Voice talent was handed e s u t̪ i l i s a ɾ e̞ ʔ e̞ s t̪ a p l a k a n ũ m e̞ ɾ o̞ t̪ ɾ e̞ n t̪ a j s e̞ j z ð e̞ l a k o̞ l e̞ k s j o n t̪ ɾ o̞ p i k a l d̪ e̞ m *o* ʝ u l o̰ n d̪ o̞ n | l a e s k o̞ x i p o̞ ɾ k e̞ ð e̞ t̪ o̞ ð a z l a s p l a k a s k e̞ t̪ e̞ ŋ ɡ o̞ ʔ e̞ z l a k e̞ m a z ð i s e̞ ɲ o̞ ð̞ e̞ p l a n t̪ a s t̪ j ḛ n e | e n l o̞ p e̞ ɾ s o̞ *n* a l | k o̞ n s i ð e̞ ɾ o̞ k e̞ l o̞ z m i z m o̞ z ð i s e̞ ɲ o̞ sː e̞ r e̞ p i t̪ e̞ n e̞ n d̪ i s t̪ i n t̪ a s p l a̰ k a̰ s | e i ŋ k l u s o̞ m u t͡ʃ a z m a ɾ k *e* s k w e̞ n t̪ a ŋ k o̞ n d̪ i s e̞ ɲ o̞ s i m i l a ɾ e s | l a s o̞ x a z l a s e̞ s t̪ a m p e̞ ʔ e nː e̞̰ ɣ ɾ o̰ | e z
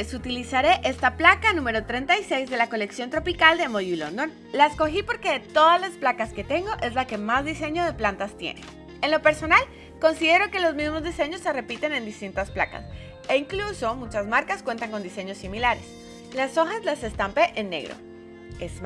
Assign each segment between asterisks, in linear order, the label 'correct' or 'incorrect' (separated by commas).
correct, correct, incorrect